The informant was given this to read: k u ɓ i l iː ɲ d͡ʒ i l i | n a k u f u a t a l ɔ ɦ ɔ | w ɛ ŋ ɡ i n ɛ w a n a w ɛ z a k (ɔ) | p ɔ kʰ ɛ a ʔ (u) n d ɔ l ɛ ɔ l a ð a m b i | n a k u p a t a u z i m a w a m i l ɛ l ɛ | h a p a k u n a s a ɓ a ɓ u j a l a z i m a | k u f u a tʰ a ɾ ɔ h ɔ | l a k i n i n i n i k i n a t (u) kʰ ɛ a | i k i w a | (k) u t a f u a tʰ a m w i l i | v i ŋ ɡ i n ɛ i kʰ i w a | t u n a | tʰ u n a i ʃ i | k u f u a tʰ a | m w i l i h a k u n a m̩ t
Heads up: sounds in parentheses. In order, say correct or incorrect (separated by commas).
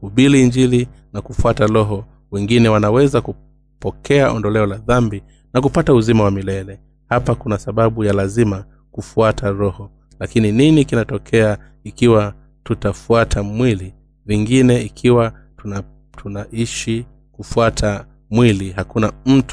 incorrect, incorrect, incorrect, incorrect